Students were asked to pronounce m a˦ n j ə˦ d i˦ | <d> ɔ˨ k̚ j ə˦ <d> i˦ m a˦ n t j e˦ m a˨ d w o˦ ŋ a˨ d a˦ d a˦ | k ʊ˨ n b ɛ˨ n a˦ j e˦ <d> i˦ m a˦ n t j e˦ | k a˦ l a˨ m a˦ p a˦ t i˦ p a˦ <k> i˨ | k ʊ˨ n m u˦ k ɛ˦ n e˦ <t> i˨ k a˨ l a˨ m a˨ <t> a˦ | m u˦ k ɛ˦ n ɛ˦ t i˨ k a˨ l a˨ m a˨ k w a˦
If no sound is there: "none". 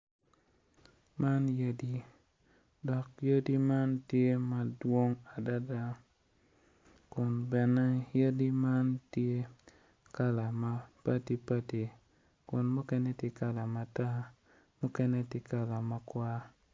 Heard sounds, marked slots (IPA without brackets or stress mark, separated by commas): d, d, d, t, t, t